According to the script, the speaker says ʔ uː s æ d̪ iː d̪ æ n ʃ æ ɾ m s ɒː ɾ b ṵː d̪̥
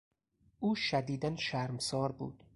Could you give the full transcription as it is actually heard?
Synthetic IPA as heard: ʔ uː ʃ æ d̪ iː d̪ æ n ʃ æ ɾ m s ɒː ɾ b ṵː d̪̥